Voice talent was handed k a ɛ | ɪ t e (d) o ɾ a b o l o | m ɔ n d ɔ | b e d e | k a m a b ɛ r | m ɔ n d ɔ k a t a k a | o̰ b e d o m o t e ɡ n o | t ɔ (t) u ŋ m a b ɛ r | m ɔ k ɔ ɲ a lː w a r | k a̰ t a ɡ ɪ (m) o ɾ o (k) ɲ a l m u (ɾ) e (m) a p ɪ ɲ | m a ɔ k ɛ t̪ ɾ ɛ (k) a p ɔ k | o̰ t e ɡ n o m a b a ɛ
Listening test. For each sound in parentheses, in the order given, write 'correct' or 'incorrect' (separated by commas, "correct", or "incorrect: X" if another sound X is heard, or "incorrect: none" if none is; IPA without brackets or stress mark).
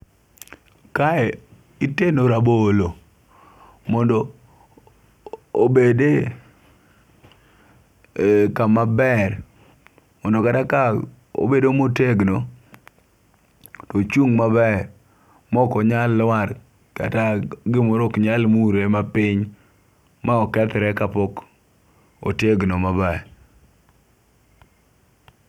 incorrect: n, incorrect: t͡ʃ, correct, correct, correct, correct, correct